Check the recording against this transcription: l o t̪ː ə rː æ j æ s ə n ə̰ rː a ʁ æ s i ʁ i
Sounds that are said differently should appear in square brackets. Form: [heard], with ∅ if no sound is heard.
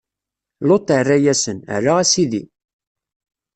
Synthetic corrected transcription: l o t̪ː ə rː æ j æ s ə n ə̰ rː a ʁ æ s i [ð] i